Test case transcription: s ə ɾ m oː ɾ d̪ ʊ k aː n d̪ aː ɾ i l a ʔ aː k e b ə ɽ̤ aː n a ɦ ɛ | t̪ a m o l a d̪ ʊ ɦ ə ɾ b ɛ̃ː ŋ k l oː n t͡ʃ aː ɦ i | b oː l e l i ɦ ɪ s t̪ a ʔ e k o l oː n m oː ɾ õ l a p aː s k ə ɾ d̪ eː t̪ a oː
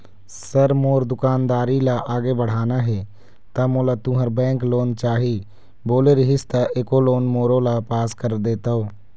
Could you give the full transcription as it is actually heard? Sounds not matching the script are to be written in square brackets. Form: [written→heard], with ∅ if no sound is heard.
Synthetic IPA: s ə ɾ m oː ɾ d̪ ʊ k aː n d̪ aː ɾ i l a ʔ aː [k→ɡ] e b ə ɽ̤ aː n a ɦ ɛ | t̪ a m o l a [d̪→t̪] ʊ ɦ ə ɾ b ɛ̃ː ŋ k l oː n t͡ʃ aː ɦ i | b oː l e [l→ɾ] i ɦ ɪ s t̪ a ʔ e k o l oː n m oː ɾ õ l a p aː s k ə ɾ d̪ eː t̪ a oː